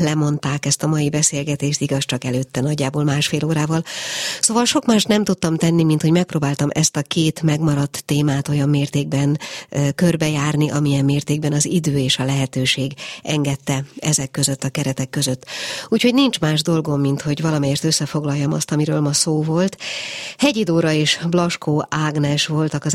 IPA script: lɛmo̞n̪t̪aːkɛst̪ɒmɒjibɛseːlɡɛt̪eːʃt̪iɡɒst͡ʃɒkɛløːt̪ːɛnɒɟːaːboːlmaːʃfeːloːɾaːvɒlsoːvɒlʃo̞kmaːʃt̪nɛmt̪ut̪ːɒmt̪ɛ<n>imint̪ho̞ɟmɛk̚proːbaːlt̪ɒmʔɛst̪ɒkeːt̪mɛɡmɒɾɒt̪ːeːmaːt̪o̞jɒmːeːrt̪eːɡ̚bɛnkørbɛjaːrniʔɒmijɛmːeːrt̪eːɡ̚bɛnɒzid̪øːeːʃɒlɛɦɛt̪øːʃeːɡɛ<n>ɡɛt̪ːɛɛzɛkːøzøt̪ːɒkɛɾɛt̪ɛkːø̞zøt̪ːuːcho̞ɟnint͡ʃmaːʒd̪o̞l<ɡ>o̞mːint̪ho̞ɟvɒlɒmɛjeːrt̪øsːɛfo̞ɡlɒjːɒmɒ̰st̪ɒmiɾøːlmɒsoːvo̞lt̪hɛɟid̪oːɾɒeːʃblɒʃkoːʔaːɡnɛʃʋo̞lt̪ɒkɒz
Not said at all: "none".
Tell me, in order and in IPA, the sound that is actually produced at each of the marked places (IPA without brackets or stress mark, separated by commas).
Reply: nː, ŋ, ɡ